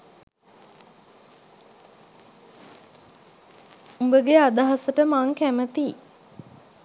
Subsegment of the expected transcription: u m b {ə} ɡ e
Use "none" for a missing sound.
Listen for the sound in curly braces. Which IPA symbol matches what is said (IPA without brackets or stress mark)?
ə